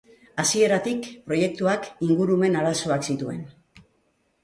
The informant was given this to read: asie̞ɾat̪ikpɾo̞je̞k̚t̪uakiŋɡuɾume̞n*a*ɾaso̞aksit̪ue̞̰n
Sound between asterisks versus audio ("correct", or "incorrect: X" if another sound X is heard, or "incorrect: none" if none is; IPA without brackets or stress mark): correct